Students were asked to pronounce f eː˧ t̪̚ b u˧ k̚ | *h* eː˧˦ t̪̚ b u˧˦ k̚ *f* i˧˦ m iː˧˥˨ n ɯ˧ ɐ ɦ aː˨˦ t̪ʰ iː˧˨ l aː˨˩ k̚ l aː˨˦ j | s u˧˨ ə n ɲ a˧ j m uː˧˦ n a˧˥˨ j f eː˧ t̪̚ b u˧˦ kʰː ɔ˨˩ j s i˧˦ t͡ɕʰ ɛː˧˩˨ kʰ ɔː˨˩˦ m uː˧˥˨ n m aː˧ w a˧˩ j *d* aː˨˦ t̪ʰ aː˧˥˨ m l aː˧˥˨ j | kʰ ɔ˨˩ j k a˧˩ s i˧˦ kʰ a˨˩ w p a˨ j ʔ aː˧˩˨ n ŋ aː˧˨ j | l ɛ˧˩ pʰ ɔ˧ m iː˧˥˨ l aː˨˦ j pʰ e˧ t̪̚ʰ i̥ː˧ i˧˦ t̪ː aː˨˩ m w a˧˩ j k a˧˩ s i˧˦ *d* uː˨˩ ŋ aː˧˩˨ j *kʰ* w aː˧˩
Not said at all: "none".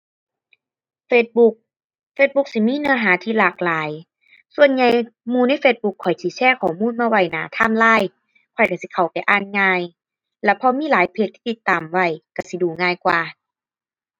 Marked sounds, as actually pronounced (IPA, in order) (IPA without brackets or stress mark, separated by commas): f, s, n, d, k